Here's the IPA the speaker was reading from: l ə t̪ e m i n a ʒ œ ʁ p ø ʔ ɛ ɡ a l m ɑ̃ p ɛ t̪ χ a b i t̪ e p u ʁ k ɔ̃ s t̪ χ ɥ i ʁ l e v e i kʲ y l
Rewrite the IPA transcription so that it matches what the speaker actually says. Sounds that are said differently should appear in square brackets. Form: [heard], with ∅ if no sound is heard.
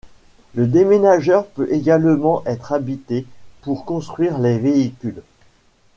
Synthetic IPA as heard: l ə [d̪] e m [e] n a ʒ œ ʁ p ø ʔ [e] ɡ a l m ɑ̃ [ʔ] ɛ t̪ χ a b i t̪ e p u ʁ k ɔ̃ s t̪ χ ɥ i ʁ l e v e i kʲ y l

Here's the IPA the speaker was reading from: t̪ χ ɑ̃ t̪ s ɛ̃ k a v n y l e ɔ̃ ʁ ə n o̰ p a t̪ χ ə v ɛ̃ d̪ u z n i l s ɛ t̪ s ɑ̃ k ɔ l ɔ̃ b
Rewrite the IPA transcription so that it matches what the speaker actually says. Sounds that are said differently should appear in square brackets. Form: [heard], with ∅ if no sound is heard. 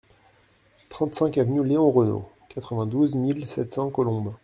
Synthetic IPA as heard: t̪ χ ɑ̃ t̪ s ɛ̃ k a v n y l e ɔ̃ ʁ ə n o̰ [k] a t̪ χ ə v ɛ̃ d̪ u z [m] i l s ɛ t̪ s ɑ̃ k ɔ l ɔ̃ b

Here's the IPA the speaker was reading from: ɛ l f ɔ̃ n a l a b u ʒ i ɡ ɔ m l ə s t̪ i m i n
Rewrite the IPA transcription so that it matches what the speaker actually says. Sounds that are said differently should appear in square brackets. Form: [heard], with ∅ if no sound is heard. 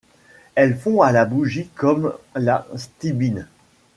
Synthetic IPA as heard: ɛ l f ɔ̃ [∅] a l a b u ʒ i [k] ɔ m l [a] s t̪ i [b] i n

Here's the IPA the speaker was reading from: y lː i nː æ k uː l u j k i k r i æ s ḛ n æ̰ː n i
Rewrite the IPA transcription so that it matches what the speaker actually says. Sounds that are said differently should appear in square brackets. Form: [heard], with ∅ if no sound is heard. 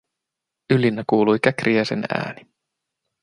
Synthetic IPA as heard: y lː i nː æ k uː l u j k [æ] k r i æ s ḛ n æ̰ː n i

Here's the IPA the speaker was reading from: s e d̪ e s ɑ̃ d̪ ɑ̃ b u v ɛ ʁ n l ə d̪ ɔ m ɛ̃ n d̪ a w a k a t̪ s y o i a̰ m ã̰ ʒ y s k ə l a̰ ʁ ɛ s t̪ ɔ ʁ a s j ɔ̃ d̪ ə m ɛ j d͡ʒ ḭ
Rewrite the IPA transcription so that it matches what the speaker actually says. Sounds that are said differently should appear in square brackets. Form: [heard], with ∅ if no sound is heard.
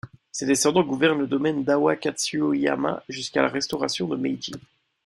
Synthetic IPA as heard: s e d̪ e s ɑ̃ d̪ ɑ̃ [ɡ] u v ɛ ʁ n l ə d̪ ɔ m [ɛ] n d̪ a w a k a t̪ s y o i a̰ m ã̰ ʒ y s k [a] l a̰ ʁ ɛ s t̪ ɔ ʁ a s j ɔ̃ d̪ ə m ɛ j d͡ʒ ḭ

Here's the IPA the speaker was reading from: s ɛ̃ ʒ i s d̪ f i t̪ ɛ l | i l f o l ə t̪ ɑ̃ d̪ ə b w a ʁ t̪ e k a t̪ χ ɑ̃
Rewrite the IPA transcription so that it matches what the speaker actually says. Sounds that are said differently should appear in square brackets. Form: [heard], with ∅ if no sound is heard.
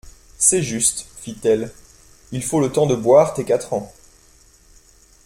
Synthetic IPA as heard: s [ɛ] ʒ [y] s [t̪] f i t̪ ɛ l | i l f o l ə t̪ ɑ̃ d̪ ə b w a ʁ t̪ e k a t̪ χ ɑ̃

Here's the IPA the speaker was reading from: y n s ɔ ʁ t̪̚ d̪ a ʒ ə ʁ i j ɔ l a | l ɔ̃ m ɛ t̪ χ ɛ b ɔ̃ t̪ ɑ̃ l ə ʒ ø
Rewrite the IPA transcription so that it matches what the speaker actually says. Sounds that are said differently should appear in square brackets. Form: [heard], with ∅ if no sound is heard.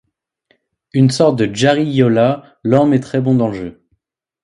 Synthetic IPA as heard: y n s ɔ ʁ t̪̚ d̪ [ə] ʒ [a] ʁ i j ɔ l a | l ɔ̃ m ɛ t̪ χ ɛ b ɔ̃ [d̪] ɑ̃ l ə ʒ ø

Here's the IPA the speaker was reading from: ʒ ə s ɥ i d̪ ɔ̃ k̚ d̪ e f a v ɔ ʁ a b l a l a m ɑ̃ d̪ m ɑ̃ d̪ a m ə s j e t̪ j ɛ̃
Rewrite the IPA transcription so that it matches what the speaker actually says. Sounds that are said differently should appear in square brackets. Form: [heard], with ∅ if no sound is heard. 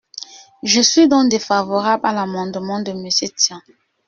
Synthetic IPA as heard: ʒ ə s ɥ i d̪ ɔ̃ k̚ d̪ e f a v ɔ ʁ a b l a l a m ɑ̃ d̪ m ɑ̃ d̪ [ə] m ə s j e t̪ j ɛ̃

